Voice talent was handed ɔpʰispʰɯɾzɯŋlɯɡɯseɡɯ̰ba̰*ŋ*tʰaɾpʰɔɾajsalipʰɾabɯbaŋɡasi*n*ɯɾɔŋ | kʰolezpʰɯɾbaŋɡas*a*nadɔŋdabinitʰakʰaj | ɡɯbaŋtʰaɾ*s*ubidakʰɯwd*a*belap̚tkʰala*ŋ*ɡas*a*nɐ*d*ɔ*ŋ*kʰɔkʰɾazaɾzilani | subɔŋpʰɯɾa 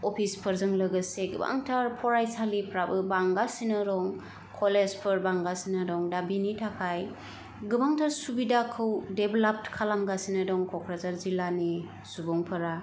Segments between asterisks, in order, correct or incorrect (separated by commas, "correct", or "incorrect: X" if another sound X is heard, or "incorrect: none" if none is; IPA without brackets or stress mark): correct, correct, incorrect: i, correct, incorrect: e, incorrect: m, incorrect: i, correct, correct